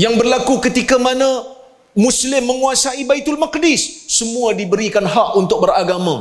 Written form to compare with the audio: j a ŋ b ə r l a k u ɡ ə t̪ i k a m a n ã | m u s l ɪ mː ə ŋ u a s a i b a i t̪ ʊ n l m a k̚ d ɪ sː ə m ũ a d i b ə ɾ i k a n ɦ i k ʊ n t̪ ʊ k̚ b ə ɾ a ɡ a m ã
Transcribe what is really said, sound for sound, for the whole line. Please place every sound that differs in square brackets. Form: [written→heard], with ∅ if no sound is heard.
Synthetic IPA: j a ŋ b ə r l a k u [ɡ→k] ə t̪ i k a m a n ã | m u s l ɪ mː ə ŋ u a s a i b a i t̪ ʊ [n→∅] l m a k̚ d ɪ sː ə m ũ a d i b ə ɾ i k a n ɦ [i→a] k [ʊ→u] n t̪ ʊ k̚ b ə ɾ a ɡ a m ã